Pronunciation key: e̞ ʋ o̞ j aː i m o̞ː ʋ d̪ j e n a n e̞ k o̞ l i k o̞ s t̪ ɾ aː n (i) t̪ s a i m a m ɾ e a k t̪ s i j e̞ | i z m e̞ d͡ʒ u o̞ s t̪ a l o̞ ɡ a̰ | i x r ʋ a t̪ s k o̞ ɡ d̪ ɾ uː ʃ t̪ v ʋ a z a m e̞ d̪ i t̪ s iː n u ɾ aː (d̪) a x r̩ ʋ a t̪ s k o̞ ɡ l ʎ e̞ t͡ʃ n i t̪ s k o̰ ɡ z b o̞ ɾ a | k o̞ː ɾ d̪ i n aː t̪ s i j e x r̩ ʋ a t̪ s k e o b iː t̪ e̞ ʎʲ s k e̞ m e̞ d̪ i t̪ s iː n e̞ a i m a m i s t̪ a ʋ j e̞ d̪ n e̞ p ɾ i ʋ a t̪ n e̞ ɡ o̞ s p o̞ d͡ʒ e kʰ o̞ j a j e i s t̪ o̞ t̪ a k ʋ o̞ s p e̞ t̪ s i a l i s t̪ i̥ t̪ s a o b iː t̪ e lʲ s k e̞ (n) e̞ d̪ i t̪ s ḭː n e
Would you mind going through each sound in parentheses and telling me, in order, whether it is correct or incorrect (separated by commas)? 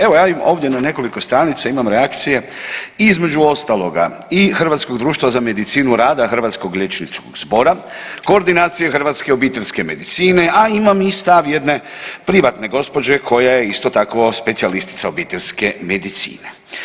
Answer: correct, correct, incorrect